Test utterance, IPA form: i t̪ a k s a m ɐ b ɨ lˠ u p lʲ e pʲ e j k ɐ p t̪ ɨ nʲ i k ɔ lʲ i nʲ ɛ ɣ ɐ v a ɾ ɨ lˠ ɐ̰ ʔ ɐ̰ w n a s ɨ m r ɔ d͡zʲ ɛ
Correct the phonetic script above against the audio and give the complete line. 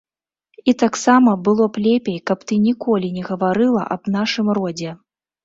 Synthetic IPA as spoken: i t̪ a k s a m ɐ b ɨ lˠ ɔ p lʲ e pʲ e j k ɐ p t̪ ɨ nʲ i k ɔ lʲ i nʲ ɛ ɣ ɐ v a ɾ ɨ lˠ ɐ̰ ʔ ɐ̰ b n a ʂ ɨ m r ɔ d͡zʲ ɛ

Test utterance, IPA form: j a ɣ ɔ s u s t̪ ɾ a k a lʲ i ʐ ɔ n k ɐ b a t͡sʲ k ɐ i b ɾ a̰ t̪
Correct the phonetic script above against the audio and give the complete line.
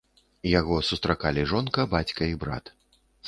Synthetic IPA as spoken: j a ɣ ɔ s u s t̪ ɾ a k a lʲ i ʐ ɔ n k ɐ b a t͡sʲ k ɐ i b ɾ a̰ t̪

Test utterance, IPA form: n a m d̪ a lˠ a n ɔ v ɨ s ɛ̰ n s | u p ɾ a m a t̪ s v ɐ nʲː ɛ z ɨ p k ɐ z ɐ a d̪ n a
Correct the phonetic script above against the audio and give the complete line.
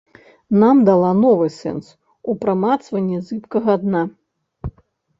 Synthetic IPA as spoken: n a m d̪ a lˠ a n ɔ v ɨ s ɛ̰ n s | u p ɾ a m a t̪ s v ɐ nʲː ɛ z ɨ p k ɐ ɣ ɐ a d̪ n a

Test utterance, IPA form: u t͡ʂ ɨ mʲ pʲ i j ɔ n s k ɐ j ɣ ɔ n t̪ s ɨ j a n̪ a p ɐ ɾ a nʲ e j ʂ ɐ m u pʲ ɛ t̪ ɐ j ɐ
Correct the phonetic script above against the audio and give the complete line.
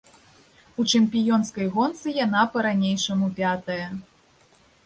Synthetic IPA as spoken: u t͡ʂ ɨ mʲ pʲ i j ɔ n s k ɐ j ɣ ɔ n t̪ s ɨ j a n̪ a p ɐ ɾ a nʲ e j ʂ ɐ m u pʲ a t̪ ɐ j ɐ

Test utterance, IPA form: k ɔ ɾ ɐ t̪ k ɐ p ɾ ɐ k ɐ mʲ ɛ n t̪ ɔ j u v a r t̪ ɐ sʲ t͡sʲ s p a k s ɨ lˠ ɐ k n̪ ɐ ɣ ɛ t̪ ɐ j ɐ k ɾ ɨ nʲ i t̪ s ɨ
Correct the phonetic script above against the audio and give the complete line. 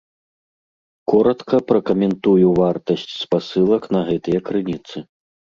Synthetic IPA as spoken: k ɔ ɾ ɐ t̪ k ɐ p ɾ ɐ k ɐ mʲ ɛ n t̪ u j u v a r t̪ ɐ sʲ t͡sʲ s p a s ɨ lˠ ɐ k n̪ ɐ ɣ ɛ t̪ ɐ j ɐ k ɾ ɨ nʲ i t̪ s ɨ

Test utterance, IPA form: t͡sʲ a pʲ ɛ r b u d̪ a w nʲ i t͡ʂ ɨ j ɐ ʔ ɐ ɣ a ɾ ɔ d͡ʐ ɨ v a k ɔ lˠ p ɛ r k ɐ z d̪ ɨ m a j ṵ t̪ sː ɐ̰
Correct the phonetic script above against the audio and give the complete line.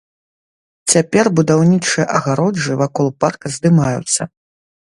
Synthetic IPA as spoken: t͡sʲ a pʲ ɛ r b u d̪ a w nʲ i t͡ʂ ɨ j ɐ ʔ ɐ ɣ a ɾ ɔ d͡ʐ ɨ v a k ɔ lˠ p a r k ɐ z d̪ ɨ m a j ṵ t̪ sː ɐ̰

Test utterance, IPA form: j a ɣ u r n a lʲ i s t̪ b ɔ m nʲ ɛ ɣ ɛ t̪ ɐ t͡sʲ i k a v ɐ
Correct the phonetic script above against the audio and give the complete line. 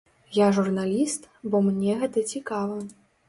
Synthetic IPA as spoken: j a ʐ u r n a lʲ i s t̪ b ɔ m nʲ ɛ ɣ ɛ t̪ ɐ t͡sʲ i k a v ɐ

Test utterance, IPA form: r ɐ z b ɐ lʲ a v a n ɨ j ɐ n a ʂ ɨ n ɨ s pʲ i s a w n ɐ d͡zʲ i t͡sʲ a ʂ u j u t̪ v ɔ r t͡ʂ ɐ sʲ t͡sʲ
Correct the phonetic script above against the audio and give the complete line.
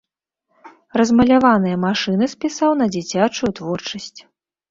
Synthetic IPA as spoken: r ɐ z m ɐ lʲ a v a n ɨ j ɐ m a ʂ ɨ n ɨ s pʲ i s a w n ɐ d͡zʲ i t͡sʲ a t͡ʂ u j u t̪ v ɔ r t͡ʂ ɐ sʲ t͡sʲ

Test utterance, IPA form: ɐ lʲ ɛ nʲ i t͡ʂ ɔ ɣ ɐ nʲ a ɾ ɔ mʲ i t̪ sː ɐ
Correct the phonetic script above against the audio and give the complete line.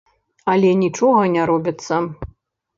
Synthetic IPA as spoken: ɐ lʲ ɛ nʲ i t͡ʂ ɔ ɣ ɐ nʲ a ɾ ɔ bʲ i t̪ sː ɐ

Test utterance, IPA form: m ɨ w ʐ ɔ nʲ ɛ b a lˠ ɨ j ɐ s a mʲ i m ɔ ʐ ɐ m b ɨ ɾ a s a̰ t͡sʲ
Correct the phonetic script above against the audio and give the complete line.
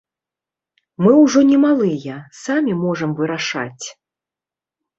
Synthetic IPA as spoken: m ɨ w ʐ ɔ nʲ ɛ m a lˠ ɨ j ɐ s a mʲ i m ɔ ʐ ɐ m v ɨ ɾ a ʂ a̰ t͡sʲ

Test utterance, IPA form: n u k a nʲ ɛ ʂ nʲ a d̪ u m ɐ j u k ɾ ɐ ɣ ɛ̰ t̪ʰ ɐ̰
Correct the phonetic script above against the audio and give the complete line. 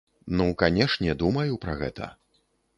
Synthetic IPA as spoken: n u k a nʲ ɛ ʂ nʲ ɛ d̪ u m ɐ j u p ɾ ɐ ɣ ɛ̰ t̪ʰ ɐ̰

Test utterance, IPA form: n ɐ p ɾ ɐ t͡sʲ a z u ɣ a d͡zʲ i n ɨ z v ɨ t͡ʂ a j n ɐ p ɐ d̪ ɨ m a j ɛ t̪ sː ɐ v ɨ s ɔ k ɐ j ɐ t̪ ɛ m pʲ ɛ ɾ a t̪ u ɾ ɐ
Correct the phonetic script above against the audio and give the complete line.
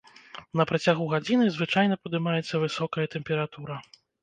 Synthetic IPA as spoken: n ɐ p ɾ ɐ t͡sʲ a ɣ u ɣ a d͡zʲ i n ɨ z v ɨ t͡ʂ a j n ɐ p ɐ d̪ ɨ m a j ɛ t̪ sː ɐ v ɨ s ɔ k ɐ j ɐ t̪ ɛ m pʲ ɛ ɾ a t̪ u ɾ ɐ

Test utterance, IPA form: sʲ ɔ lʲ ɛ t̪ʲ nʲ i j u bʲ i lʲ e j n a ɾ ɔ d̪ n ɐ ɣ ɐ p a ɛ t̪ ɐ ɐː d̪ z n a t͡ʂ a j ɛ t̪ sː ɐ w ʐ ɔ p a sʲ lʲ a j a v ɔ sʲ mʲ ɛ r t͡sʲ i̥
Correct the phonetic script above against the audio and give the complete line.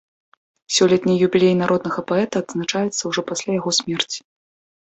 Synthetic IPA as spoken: sʲ ɔ lʲ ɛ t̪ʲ nʲ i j u bʲ i lʲ e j n a ɾ ɔ d̪ n ɐ ɣ ɐ p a ɛ t̪ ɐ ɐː d̪ z n a t͡ʂ a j ɛ t̪ sː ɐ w ʐ ɔ p a sʲ lʲ a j a ɣ ɔ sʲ mʲ ɛ r t͡sʲ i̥

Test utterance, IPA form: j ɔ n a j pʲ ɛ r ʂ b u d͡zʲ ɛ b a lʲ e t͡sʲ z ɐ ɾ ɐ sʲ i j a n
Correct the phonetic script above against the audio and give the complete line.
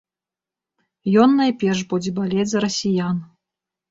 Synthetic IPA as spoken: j ɔ nː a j pʲ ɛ r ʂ b u d͡zʲ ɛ b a lʲ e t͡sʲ z ɐ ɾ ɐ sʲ i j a n

